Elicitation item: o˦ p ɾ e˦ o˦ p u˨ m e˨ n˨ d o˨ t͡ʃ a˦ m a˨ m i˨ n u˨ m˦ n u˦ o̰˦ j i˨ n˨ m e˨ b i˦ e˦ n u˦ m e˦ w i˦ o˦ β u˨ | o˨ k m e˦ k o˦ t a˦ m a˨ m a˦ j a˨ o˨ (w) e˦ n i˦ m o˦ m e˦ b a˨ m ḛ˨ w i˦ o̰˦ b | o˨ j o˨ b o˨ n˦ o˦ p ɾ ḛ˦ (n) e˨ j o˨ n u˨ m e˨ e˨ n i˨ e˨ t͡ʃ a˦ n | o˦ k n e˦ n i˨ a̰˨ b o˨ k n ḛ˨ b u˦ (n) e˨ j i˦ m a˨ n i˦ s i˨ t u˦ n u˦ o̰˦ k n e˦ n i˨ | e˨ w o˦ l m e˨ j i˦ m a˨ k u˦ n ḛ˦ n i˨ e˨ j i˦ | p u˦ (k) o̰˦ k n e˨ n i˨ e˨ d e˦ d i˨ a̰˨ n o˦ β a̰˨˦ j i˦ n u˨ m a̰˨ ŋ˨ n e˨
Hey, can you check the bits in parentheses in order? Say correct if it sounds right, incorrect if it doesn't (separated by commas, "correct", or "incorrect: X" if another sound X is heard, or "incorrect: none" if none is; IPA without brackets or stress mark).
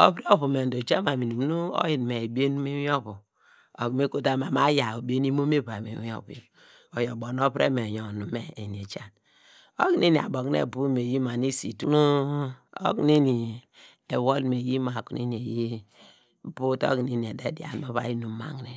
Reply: incorrect: b, incorrect: m, incorrect: m, incorrect: t